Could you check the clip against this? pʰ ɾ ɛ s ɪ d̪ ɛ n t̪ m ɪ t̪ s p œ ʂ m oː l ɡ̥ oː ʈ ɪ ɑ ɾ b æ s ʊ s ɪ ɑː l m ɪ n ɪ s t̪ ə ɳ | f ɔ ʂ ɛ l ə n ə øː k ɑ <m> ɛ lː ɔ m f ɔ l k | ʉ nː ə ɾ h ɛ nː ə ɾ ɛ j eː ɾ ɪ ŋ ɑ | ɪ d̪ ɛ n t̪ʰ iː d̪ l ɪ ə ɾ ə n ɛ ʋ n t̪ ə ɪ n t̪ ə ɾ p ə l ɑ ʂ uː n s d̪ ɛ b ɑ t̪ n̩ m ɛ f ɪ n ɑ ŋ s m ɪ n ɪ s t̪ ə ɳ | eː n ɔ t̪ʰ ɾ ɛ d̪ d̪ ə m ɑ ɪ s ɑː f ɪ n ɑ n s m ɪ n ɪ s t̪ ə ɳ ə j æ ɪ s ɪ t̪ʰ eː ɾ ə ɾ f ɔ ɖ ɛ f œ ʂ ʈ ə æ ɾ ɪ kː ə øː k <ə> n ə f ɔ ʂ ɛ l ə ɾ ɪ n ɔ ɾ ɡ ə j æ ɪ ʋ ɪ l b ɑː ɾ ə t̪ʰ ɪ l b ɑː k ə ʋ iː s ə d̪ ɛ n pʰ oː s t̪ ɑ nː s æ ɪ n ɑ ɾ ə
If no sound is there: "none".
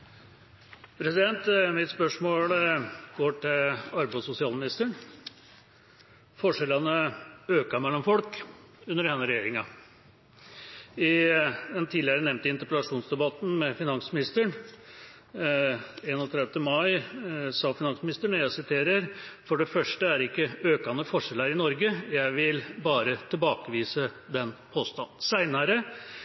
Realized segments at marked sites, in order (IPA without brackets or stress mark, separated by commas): m, ɑ